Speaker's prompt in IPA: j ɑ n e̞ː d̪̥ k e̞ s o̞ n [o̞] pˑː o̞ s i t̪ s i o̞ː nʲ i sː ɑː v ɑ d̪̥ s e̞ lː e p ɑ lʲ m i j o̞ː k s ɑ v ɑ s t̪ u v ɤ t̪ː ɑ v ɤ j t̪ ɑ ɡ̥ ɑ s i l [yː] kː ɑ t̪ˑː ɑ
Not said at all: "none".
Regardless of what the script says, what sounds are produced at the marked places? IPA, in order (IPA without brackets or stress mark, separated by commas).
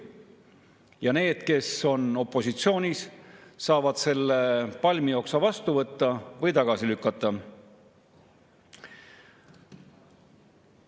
o̞, y